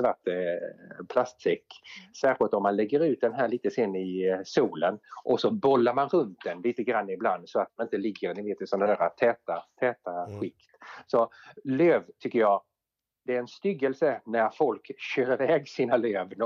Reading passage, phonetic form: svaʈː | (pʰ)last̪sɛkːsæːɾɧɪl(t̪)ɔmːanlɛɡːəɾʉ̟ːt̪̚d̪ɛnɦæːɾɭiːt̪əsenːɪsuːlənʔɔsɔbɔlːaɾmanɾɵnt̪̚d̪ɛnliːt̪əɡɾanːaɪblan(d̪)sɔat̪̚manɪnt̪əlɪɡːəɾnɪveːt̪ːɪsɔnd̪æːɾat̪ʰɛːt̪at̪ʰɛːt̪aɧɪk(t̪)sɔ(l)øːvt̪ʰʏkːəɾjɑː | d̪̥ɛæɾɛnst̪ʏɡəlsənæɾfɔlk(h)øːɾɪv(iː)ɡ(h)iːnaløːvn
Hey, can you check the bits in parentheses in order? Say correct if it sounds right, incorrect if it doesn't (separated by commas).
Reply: correct, correct, correct, correct, correct, incorrect, incorrect, incorrect